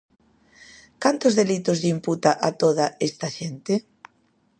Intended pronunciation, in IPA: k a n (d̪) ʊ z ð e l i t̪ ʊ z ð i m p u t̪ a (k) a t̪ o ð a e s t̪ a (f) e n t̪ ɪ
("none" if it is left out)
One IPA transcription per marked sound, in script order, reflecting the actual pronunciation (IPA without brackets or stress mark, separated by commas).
t̪, ʔ, ʃ